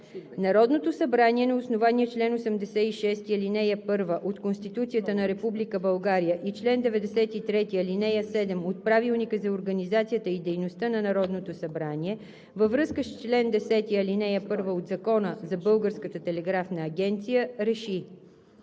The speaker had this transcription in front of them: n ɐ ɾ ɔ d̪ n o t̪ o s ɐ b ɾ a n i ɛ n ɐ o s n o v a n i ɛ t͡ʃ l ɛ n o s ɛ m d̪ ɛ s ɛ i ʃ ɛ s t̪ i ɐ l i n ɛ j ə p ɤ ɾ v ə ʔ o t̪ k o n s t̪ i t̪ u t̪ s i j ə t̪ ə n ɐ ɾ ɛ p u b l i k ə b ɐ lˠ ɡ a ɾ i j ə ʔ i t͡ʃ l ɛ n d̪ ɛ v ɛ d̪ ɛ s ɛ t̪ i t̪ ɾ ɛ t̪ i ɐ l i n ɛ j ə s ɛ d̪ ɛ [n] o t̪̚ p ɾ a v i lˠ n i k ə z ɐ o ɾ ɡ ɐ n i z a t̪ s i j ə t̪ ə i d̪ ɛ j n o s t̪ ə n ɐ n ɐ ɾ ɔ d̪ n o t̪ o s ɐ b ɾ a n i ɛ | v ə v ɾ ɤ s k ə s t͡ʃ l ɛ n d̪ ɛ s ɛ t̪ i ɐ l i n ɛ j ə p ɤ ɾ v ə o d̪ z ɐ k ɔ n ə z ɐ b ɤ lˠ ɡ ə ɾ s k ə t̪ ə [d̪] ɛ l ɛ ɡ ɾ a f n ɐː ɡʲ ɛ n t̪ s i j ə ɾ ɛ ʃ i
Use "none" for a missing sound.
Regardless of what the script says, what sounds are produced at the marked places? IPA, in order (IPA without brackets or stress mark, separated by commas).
m, t̪